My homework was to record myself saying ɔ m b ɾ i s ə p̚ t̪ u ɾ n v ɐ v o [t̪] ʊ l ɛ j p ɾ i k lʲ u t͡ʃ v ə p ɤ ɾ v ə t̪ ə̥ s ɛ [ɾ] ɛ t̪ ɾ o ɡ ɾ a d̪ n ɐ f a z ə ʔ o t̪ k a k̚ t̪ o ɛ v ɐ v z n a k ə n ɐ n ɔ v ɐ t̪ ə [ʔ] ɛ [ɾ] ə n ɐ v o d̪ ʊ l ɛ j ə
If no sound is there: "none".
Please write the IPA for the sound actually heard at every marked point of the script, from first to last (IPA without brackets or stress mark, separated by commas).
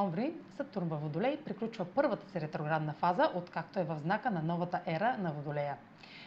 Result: d̪, ɾ, ʔ, ɾ